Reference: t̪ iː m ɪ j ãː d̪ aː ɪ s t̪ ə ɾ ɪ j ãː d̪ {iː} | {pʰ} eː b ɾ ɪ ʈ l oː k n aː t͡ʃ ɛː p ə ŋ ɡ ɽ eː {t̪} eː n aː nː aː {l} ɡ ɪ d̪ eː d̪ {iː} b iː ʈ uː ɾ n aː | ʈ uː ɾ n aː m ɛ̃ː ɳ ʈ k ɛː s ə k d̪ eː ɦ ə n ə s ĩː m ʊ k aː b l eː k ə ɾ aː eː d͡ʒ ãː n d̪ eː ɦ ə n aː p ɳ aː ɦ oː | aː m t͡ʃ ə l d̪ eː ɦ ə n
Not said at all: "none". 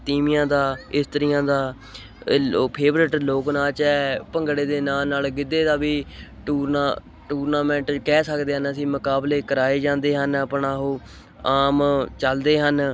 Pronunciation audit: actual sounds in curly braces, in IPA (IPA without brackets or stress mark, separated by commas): aː, pʰ, d̪, l, aː